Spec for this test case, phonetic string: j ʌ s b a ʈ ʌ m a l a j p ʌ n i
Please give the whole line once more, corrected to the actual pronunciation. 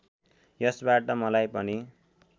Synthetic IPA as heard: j ʌ s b a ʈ ʌ m ʌ l a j p ʌ n i